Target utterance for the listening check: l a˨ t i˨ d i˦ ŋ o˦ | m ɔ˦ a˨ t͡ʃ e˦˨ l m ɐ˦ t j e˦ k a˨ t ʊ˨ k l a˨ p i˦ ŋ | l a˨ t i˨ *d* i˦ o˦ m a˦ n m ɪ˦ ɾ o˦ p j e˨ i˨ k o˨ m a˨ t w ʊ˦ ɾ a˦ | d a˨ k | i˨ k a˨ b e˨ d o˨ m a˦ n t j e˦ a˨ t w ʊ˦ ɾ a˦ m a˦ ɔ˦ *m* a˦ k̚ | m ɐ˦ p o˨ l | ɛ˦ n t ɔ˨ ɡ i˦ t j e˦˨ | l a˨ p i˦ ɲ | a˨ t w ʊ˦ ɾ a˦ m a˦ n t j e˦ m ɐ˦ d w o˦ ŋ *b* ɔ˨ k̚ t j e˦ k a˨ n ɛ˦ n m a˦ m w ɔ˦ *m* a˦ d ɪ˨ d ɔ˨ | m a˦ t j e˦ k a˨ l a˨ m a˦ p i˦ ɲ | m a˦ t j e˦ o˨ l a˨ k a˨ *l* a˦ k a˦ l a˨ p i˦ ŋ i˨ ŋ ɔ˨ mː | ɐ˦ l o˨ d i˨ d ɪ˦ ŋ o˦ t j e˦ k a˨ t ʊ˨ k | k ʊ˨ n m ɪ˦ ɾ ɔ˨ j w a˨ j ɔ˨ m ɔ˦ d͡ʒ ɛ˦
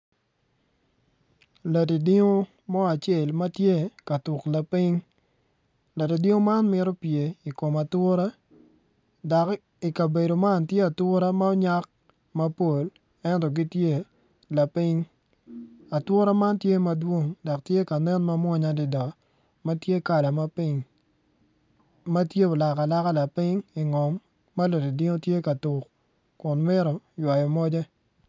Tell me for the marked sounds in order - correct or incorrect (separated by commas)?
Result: correct, incorrect, incorrect, incorrect, correct